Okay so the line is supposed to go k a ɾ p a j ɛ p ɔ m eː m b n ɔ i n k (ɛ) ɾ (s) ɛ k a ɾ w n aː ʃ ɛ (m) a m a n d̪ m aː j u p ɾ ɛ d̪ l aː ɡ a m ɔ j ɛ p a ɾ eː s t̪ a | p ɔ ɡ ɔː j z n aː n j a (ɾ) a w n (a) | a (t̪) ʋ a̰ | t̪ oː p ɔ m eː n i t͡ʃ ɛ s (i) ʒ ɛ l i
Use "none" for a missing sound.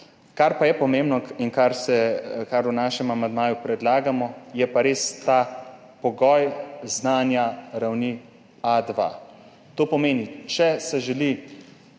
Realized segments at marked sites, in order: a, s, m, ɾ, i, d̪, ɛ

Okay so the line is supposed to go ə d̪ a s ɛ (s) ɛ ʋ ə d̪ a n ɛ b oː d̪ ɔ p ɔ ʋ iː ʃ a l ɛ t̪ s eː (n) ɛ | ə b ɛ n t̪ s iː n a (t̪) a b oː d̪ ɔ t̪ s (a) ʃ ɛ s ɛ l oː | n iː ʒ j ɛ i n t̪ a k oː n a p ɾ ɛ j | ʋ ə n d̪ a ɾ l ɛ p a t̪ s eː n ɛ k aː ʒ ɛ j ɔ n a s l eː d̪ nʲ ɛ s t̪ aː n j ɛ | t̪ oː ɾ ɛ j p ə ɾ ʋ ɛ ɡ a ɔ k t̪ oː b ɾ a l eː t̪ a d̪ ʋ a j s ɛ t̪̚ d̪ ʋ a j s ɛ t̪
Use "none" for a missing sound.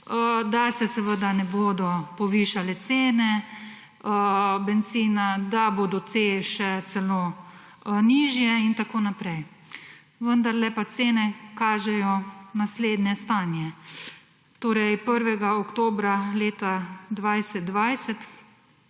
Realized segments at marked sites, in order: s, n, d̪, e

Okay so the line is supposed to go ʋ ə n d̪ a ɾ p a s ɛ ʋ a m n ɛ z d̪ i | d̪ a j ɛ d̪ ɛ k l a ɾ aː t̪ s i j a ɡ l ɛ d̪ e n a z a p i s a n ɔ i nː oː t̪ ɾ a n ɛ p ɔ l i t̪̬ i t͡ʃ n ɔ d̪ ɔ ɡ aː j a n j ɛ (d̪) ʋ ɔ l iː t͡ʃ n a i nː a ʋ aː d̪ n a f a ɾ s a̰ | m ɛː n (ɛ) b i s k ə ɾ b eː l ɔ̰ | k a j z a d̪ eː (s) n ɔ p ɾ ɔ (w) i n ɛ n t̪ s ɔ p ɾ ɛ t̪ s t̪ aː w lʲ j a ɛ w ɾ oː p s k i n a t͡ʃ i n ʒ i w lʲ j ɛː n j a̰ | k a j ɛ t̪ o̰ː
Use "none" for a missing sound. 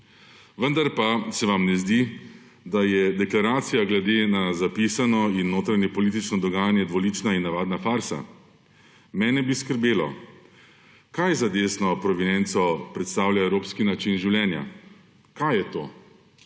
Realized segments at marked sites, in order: d̪, ɛ, s, ʋ

